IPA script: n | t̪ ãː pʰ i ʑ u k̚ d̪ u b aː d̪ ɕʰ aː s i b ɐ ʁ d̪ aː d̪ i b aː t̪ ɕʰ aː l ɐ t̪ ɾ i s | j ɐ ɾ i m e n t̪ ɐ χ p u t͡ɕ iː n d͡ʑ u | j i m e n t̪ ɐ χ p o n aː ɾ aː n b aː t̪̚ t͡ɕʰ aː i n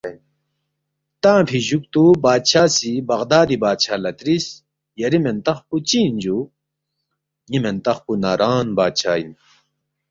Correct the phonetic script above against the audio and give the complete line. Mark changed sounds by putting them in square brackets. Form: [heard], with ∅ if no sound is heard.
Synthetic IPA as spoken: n | t̪ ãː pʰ i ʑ u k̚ [t̪] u b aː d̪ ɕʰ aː s i b ɐ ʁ d̪ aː d̪ i b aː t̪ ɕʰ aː l ɐ t̪ ɾ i s | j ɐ ɾ i m e n t̪ ɐ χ p u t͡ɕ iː n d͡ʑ u | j i m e n t̪ ɐ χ p [u] n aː ɾ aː n b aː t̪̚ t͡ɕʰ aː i n